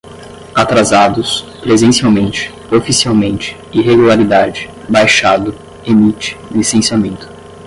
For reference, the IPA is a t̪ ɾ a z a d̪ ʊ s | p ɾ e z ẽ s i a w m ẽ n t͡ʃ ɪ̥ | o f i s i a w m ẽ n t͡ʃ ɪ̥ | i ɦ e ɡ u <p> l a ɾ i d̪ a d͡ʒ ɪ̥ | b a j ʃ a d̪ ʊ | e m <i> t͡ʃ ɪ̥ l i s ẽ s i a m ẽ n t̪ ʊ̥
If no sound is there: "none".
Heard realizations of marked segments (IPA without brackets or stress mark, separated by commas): none, i